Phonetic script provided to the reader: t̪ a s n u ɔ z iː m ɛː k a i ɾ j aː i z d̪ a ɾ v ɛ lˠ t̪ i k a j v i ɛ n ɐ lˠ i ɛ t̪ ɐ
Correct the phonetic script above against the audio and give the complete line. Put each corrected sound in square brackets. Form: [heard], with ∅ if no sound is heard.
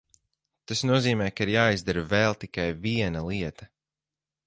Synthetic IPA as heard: t̪ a s n u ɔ z iː m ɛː k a i ɾ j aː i z d̪ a ɾ v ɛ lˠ t̪ i k a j v i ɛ n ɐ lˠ i ɛ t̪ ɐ